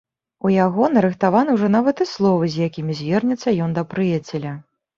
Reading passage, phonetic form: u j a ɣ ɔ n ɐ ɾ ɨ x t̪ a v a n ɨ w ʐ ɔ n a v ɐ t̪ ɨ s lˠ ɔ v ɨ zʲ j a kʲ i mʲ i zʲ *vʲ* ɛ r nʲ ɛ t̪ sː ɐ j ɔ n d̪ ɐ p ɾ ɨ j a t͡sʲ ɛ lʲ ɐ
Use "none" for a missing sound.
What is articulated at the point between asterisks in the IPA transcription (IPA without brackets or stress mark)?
vʲ